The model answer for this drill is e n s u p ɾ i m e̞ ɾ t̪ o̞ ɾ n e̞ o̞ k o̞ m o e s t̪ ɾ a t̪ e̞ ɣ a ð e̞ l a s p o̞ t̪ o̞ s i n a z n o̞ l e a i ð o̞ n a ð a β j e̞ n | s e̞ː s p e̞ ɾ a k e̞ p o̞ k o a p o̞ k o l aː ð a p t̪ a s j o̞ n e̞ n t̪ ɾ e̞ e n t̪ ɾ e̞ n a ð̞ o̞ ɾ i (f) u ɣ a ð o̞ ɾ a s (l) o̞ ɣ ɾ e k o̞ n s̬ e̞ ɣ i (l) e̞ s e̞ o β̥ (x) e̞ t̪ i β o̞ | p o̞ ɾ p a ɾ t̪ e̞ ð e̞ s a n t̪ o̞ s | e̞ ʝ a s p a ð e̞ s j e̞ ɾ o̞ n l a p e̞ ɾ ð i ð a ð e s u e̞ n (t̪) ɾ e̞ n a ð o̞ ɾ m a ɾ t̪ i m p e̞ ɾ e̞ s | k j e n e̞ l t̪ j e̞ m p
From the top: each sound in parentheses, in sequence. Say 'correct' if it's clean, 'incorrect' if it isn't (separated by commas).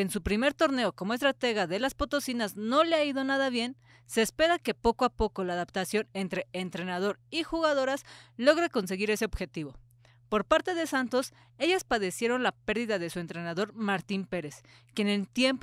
incorrect, correct, incorrect, correct, correct